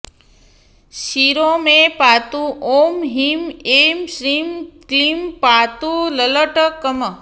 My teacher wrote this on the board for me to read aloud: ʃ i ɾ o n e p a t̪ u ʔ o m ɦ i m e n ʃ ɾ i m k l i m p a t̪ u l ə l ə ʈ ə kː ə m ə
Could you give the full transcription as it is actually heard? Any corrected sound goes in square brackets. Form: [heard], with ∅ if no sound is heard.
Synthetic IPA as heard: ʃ i ɾ o [m] e p a t̪ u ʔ o m ɦ i m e [m] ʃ ɾ i m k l i m p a t̪ u l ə l ə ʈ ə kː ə m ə